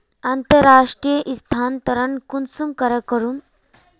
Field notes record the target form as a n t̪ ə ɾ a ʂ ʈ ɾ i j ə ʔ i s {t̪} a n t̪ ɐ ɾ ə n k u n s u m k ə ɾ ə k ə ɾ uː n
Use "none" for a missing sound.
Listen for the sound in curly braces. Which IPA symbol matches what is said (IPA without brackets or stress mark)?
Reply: t̪ʰ